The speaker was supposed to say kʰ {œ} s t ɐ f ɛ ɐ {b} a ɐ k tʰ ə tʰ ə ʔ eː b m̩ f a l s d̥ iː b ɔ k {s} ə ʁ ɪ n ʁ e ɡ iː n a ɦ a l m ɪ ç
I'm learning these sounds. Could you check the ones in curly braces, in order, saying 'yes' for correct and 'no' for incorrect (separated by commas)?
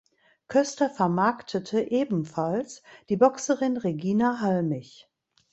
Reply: yes, no, yes